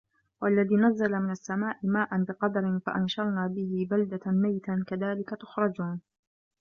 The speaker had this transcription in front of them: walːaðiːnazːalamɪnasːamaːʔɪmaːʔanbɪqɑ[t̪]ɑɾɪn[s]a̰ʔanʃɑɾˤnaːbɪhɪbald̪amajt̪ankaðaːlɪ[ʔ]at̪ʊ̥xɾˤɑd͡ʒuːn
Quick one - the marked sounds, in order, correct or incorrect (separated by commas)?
incorrect, incorrect, incorrect